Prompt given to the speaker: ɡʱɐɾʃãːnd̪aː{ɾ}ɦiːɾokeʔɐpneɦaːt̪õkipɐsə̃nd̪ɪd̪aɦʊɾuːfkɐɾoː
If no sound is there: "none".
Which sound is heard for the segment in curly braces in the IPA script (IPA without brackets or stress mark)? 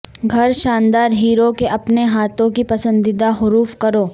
ɾ